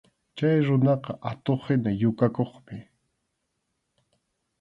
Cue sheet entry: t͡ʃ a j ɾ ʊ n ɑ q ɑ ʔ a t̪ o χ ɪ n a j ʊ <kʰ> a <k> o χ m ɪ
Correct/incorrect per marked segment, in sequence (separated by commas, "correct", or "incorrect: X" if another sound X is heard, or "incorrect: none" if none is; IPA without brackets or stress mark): incorrect: k, correct